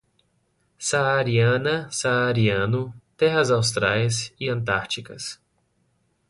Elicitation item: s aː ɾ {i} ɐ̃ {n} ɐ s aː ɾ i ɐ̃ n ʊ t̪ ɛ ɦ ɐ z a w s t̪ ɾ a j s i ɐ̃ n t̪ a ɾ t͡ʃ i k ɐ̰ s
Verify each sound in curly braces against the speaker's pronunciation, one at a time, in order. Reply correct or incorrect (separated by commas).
correct, correct